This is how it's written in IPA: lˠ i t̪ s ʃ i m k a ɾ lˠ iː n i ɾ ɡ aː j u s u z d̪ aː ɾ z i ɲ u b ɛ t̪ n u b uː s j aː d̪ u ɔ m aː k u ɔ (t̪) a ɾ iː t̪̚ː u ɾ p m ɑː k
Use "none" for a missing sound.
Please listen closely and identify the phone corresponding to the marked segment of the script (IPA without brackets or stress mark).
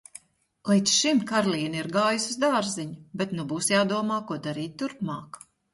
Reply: d̪